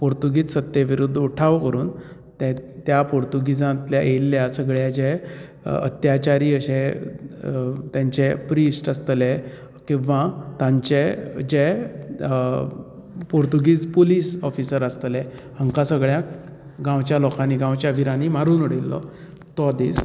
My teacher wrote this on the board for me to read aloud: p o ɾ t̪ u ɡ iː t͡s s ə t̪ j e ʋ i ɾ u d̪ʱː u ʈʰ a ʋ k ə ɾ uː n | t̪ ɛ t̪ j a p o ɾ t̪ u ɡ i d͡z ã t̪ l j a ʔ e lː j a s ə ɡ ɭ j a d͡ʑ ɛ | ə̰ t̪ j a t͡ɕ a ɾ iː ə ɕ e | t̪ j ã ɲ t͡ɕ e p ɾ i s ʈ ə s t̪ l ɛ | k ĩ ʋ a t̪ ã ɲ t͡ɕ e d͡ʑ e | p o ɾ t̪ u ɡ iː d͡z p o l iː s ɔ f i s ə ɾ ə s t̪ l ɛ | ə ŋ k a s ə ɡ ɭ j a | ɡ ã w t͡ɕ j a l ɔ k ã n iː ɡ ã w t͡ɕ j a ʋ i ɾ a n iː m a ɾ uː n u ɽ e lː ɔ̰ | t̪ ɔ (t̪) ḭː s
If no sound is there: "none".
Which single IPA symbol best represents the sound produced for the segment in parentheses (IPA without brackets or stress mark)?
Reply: d̪